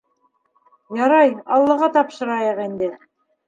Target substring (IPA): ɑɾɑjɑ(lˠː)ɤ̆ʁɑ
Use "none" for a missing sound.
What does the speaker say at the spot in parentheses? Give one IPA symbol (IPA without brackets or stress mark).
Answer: lˠː